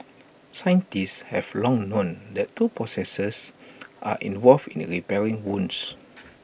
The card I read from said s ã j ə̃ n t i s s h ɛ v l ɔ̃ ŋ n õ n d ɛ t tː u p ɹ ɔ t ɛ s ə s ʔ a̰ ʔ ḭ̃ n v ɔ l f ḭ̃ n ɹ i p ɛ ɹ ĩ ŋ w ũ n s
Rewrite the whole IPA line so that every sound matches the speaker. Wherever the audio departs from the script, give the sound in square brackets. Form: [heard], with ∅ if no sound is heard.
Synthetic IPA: s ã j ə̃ n t i s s h ɛ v l ɔ̃ ŋ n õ n d ɛ t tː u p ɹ ɔ [s] ɛ s ə s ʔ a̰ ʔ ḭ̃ n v ɔ l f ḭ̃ n ɹ i p ɛ ɹ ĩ ŋ w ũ n s